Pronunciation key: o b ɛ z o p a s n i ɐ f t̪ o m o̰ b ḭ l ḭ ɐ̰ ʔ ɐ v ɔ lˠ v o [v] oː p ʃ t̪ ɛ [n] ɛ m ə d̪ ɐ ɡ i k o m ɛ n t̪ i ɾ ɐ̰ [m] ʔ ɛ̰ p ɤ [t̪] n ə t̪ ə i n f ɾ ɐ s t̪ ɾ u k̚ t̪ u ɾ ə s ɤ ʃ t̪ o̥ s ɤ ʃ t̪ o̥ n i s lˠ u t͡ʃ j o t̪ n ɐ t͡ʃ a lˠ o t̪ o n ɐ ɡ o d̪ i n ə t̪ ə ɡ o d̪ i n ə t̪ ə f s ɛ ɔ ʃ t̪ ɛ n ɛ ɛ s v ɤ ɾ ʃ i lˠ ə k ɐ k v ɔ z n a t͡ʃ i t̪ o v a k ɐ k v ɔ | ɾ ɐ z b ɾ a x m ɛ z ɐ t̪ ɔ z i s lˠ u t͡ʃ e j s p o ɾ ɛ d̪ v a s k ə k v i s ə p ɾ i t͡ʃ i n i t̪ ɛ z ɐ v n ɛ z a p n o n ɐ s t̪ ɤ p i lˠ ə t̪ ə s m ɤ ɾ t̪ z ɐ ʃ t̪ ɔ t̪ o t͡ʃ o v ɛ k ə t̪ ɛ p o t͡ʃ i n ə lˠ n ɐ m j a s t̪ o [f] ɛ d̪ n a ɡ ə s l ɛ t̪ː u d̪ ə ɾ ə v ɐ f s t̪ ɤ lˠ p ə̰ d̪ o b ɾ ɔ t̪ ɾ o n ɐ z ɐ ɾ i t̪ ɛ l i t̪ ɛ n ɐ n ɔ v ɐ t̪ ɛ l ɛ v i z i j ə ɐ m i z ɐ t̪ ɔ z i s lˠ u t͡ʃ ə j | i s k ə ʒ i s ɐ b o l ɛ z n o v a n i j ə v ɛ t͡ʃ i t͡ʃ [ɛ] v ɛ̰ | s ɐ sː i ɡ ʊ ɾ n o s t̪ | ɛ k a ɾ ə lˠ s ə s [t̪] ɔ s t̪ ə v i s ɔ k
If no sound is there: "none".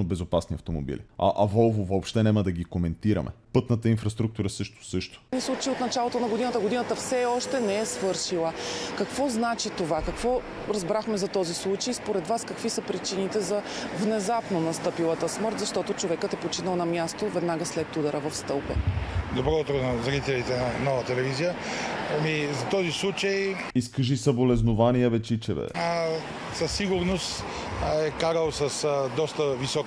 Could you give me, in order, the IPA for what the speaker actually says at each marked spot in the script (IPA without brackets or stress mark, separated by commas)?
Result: v, n, m, t̪, v, ɛ, d̪